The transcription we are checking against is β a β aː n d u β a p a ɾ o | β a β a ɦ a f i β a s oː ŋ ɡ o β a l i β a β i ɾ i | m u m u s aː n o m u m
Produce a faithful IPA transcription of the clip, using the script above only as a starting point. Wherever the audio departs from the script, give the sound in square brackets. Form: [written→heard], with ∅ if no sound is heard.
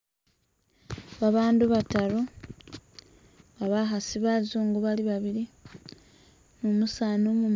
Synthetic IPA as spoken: β a β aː n d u β a [p→t] a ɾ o | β a β a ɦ a [f→s] i β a [s→z] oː ŋ ɡ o β a l i β a β i ɾ i | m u m u s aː n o m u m